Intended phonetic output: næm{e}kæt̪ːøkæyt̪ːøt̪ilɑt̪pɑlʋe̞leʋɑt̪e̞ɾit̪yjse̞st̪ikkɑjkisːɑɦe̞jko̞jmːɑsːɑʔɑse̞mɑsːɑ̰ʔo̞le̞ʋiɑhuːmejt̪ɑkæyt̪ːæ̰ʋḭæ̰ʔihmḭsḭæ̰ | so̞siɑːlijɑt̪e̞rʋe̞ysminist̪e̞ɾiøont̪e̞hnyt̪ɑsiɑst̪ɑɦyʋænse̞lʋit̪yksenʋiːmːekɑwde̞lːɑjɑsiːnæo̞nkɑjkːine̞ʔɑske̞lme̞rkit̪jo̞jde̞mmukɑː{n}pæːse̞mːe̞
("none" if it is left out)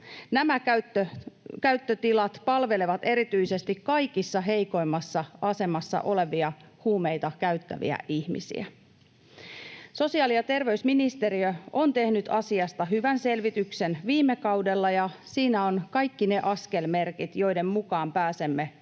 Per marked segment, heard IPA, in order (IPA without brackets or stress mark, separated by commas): æ, m